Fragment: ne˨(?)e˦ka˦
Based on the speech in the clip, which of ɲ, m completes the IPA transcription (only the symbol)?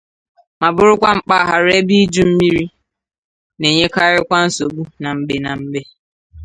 ɲ